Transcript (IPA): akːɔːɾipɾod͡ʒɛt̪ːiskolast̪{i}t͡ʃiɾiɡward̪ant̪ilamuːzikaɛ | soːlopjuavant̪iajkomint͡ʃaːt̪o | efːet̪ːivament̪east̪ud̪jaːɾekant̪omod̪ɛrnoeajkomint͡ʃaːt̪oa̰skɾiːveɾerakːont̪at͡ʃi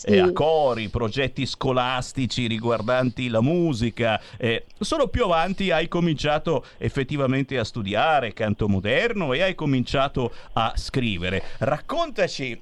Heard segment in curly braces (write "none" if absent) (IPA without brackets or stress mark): i